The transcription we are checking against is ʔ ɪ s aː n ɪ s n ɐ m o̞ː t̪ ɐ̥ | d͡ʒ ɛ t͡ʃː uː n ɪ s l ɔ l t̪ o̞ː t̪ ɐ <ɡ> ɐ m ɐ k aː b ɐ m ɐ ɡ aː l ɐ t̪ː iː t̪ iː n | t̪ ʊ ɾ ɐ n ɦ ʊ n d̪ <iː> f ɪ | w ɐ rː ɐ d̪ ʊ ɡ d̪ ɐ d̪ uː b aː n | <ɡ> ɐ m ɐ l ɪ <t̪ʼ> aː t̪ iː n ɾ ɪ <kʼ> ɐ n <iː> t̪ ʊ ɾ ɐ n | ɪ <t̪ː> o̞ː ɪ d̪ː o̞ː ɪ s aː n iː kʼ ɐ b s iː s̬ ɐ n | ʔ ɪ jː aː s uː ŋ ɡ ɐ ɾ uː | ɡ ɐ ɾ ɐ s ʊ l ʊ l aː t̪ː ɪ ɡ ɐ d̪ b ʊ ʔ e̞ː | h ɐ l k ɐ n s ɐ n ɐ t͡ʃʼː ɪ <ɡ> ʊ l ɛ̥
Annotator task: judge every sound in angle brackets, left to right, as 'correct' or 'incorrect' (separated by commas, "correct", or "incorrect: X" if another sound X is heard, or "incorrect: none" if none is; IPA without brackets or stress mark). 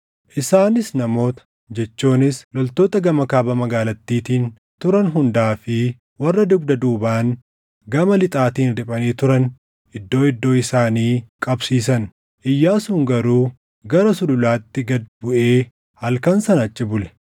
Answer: correct, incorrect: aː, correct, correct, incorrect: pʼ, correct, incorrect: d̪ː, incorrect: b